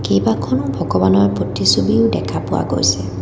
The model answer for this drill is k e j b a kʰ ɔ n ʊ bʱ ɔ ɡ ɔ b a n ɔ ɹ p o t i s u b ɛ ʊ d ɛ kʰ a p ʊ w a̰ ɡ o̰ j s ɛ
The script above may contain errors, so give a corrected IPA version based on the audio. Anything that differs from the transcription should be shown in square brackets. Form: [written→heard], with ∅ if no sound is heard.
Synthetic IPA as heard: k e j b a kʰ ɔ n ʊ bʱ ɔ ɡ ɔ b a n ɔ ɹ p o t i s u b [ɛ→i] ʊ d ɛ kʰ a p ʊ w a̰ ɡ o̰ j s ɛ